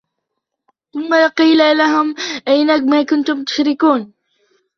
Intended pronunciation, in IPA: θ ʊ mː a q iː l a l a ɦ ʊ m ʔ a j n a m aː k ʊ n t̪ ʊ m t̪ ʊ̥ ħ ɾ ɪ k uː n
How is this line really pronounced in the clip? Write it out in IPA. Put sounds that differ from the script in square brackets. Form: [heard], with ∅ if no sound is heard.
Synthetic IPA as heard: θ ʊ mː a q iː l a l a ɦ ʊ m ʔ a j n a m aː k ʊ n t̪ ʊ m t̪ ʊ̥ [ʃ] ɾ ɪ k uː n